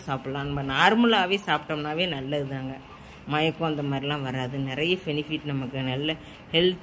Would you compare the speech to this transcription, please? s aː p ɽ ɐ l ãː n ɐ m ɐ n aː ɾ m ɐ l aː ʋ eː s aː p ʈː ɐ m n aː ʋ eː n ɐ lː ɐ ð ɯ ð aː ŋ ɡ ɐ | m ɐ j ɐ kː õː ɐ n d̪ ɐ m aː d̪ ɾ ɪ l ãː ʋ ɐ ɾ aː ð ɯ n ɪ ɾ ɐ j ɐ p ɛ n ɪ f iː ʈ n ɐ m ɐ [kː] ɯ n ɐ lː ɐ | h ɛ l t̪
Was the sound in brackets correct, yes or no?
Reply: yes